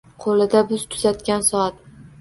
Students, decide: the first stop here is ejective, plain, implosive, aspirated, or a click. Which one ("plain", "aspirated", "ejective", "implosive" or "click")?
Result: aspirated